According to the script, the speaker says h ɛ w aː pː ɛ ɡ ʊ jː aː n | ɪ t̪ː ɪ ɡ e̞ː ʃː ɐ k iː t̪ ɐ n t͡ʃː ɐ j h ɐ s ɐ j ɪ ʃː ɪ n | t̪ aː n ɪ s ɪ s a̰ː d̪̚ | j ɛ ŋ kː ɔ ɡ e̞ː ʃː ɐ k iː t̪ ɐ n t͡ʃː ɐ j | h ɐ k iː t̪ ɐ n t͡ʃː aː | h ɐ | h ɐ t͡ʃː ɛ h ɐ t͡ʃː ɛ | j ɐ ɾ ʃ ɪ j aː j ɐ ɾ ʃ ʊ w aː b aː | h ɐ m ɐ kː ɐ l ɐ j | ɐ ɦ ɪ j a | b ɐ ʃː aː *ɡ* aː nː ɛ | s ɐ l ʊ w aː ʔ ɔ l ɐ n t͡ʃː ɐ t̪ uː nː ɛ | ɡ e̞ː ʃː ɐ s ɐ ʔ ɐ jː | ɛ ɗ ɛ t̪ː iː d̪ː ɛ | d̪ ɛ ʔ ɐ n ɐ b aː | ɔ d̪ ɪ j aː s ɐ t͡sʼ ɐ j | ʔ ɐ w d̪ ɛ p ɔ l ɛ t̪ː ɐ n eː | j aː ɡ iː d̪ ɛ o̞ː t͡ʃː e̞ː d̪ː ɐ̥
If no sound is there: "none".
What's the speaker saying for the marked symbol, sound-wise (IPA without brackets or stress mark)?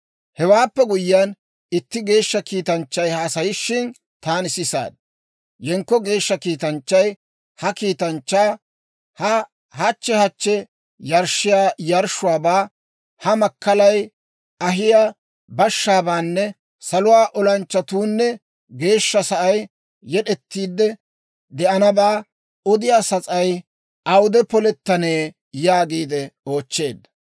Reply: b